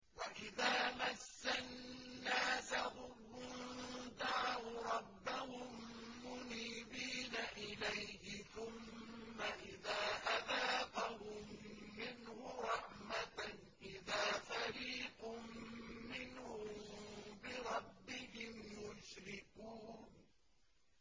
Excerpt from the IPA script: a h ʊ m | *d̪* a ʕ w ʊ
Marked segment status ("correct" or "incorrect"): correct